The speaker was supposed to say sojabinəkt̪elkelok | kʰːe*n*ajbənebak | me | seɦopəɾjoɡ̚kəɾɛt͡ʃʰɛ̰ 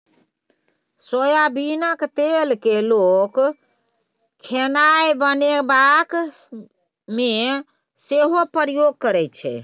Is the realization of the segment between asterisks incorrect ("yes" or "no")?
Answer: no